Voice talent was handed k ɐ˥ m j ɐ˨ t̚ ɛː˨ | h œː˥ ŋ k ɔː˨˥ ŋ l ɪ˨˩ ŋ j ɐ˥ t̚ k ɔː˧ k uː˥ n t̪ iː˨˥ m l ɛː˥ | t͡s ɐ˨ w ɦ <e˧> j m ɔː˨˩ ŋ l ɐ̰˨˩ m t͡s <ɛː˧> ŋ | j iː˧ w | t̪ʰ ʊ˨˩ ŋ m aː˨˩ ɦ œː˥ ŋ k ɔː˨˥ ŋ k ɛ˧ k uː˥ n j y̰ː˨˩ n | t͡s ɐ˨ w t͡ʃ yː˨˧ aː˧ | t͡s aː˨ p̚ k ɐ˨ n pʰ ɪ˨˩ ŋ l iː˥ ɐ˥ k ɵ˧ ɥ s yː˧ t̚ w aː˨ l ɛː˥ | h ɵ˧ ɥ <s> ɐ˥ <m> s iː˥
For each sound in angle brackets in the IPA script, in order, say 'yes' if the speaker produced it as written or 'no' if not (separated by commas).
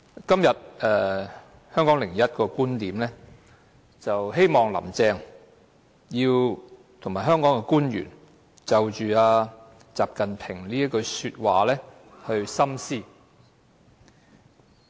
no, yes, yes, yes